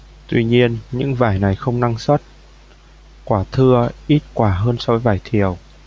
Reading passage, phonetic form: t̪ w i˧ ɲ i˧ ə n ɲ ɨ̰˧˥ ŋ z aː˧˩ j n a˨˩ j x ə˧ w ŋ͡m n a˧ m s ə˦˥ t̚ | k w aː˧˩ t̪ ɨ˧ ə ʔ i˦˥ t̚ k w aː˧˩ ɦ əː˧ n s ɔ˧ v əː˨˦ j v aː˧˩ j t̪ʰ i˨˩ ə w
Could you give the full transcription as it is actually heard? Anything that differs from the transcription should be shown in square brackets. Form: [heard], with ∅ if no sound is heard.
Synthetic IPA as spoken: t̪ w i˧ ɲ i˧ ə n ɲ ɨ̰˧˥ ŋ [v] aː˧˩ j n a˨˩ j x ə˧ w ŋ͡m n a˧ [ŋ] s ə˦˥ t̚ | k w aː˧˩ [t̪ʰ] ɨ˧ ə ʔ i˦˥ t̚ k w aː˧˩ ɦ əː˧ n s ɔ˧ v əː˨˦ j v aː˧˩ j t̪ʰ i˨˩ ə w